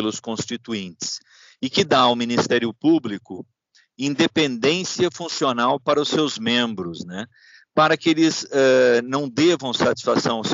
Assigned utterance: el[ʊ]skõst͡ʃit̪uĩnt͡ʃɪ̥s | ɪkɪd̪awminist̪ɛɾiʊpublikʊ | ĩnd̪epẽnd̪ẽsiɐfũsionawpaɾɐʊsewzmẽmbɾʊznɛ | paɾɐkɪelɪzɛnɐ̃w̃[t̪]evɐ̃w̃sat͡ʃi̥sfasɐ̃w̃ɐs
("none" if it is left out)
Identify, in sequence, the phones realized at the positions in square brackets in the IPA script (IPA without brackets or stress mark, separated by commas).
ʊ, d̪